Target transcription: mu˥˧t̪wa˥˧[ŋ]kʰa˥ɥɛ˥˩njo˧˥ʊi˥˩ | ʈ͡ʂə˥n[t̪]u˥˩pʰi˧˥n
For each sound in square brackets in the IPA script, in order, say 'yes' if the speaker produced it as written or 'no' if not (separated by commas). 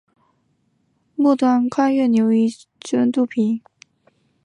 no, yes